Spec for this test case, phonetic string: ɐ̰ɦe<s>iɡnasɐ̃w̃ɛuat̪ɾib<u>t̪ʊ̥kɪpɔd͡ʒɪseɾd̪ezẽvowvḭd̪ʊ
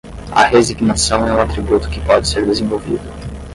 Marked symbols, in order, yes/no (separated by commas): no, yes